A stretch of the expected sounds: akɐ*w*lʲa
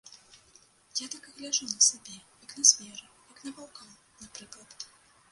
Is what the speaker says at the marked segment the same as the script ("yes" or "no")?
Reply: no